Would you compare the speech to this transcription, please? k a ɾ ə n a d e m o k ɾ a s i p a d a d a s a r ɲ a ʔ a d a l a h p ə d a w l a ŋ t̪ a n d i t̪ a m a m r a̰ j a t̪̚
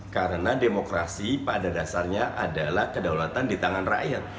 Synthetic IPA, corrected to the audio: k a ɾ ə n a d e m o k ɾ a s i p a d a d a s a r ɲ a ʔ a d a l a h k ə d a w l a t̪ a n d i t̪ a ŋ a n r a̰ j a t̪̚